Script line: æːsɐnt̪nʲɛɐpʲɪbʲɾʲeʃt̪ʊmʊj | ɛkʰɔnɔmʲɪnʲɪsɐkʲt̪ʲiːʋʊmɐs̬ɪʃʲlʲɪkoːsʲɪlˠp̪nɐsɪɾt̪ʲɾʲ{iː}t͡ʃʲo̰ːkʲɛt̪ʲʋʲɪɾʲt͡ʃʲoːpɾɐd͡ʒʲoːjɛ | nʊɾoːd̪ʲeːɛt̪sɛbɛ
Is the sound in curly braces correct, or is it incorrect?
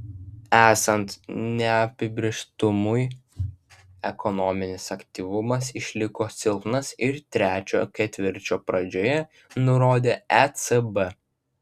incorrect